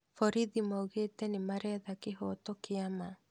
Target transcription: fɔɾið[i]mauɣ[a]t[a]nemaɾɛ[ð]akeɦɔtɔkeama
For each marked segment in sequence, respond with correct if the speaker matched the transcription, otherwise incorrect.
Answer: correct, incorrect: e, incorrect: ɛ, correct

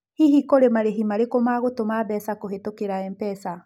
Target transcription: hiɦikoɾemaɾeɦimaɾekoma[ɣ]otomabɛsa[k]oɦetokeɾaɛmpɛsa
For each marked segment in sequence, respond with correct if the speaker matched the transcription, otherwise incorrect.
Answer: correct, correct

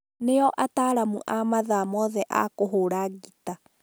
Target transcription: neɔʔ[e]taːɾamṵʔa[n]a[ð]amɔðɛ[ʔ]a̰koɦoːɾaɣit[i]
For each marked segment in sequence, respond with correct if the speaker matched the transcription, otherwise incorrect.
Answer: incorrect: a, incorrect: m, correct, correct, incorrect: a

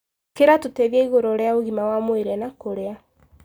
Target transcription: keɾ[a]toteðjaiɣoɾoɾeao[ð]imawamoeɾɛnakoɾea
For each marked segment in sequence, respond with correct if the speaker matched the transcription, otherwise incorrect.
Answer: correct, incorrect: ɣ

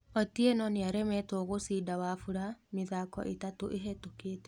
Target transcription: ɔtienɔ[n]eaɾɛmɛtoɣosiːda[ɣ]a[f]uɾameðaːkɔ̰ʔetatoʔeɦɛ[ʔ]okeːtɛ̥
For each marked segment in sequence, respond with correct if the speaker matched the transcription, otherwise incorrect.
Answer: correct, incorrect: w, correct, incorrect: t

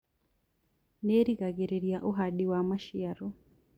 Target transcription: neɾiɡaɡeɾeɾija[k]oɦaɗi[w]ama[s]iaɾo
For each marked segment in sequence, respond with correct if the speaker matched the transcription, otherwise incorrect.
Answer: incorrect: ʔ, correct, incorrect: ʃ

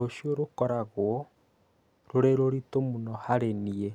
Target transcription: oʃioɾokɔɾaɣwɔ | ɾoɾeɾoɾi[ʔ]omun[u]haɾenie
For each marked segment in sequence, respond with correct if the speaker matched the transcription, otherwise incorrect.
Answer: incorrect: t, incorrect: ɔ

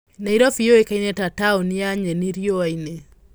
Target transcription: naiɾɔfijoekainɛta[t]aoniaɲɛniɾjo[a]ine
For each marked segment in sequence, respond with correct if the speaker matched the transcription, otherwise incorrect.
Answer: correct, correct

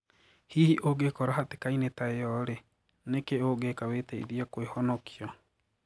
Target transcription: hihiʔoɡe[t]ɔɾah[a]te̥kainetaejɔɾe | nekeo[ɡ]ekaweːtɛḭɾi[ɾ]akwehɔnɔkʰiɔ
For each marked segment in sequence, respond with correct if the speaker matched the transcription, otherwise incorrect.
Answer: incorrect: k, correct, correct, incorrect: none

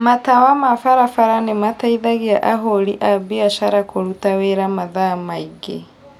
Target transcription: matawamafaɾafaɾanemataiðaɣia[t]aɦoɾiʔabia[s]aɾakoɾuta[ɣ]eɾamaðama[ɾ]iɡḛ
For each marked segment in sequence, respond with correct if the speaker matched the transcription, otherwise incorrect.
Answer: incorrect: ʔ, incorrect: ʃ, incorrect: w, incorrect: none

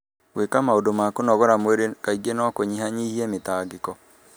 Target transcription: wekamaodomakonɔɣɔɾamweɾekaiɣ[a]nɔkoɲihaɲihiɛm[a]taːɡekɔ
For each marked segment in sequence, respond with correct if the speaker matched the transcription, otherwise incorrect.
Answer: incorrect: e, incorrect: e

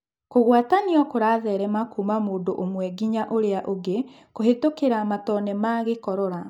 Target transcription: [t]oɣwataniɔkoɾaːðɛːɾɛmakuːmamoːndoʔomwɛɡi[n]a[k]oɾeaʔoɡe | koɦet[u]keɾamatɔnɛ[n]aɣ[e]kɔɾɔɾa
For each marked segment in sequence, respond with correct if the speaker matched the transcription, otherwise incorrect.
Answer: incorrect: k, incorrect: ɲ, incorrect: ʔ, incorrect: o, incorrect: m, correct

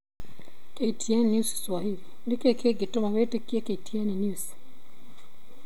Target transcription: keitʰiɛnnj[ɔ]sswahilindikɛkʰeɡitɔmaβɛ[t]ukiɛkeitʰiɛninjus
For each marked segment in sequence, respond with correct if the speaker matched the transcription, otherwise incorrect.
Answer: incorrect: u, correct

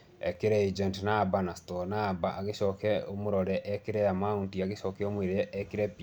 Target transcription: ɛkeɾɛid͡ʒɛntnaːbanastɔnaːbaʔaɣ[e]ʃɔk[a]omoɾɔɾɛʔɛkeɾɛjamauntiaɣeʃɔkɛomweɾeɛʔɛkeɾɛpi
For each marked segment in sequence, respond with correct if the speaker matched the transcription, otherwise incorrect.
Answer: correct, incorrect: ɛ

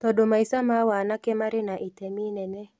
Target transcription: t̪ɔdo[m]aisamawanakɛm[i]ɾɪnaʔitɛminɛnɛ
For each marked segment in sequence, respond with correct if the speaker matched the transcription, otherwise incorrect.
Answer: correct, incorrect: a

